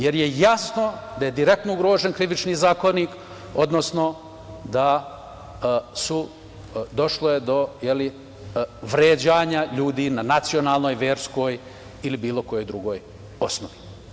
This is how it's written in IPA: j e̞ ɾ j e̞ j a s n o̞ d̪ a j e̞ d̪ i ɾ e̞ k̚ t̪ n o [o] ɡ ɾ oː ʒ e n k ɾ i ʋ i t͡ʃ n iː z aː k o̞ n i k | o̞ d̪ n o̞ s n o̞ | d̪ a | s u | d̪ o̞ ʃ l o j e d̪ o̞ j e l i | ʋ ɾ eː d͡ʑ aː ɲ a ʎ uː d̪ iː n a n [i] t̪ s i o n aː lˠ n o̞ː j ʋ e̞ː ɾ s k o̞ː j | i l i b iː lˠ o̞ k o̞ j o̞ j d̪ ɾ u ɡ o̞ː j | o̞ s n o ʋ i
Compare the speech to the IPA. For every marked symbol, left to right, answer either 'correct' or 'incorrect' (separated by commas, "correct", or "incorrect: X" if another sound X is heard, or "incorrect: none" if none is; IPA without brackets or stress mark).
incorrect: u, incorrect: a